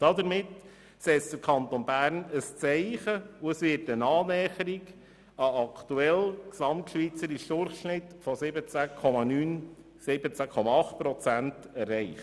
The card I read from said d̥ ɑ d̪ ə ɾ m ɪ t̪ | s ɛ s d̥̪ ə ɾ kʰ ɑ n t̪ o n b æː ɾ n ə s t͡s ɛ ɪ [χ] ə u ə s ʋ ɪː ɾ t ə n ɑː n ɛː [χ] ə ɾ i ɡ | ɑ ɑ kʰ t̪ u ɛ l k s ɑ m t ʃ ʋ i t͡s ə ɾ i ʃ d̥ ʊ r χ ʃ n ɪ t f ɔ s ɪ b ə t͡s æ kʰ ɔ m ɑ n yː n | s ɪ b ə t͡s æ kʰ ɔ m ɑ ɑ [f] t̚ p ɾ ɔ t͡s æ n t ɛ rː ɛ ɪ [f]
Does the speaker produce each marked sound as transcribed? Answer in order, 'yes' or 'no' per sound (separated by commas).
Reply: yes, yes, no, no